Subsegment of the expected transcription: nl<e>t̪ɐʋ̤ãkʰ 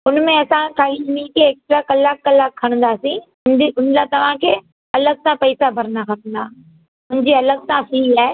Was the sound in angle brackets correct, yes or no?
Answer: no